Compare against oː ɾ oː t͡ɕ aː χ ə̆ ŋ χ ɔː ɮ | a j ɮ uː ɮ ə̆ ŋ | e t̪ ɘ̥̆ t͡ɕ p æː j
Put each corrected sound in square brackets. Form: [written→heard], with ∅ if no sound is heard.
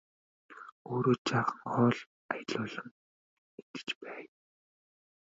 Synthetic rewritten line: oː ɾ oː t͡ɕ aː χ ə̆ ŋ χ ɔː ɮ | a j ɮ [uː→ʊː] ɮ ə̆ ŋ | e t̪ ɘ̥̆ t͡ɕ p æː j